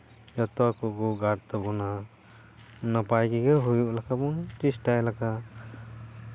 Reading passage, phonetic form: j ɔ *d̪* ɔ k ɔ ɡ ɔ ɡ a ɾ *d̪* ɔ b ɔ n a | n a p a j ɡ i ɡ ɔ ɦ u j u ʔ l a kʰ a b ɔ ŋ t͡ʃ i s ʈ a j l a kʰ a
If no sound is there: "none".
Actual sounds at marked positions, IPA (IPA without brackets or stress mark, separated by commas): t̪, t̪